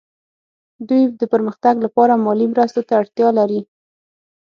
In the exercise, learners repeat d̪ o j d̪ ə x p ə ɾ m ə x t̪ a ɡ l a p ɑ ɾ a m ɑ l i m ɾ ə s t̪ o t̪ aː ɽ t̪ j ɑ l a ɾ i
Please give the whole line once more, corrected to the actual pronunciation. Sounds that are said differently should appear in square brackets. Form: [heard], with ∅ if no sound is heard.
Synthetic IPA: d̪ [u] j d̪ ə [∅] p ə ɾ m ə x t̪ a ɡ l a p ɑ ɾ a m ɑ l i m ɾ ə s t̪ o t̪ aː ɽ t̪ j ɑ l a ɾ i